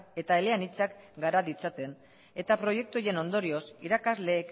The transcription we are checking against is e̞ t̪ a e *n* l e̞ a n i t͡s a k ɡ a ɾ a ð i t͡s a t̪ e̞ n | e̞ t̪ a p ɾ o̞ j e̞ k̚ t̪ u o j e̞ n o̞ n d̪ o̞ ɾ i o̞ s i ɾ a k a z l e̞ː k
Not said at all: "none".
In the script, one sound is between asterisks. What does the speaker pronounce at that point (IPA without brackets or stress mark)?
none